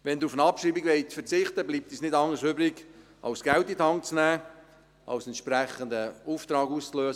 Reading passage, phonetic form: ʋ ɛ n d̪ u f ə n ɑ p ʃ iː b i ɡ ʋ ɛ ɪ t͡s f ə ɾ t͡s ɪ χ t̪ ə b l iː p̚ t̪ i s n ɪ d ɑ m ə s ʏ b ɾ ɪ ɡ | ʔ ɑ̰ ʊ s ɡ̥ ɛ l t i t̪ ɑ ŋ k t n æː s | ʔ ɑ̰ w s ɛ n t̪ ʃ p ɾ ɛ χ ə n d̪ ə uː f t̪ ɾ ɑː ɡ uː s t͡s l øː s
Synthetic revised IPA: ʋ ɛ n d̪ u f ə n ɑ p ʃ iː b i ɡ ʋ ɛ ɪ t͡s f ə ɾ t͡s ɪ χ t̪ ə b l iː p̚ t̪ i s n ɪ d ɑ ŋ ə s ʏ b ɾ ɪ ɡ | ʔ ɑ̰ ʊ s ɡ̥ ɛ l t i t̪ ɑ ŋ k t͡s n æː | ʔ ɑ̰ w s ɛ n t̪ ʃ p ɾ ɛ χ ə n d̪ ə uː f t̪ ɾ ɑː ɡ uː s t͡s l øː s